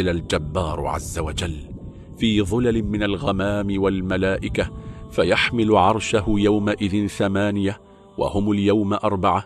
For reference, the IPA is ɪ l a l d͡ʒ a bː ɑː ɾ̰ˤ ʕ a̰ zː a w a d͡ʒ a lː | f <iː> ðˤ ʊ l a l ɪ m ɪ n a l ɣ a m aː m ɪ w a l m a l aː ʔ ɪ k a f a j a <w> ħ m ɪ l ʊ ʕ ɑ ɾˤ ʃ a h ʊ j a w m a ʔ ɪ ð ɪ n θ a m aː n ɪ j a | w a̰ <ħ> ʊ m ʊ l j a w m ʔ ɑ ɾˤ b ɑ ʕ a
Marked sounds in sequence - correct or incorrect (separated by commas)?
correct, incorrect, incorrect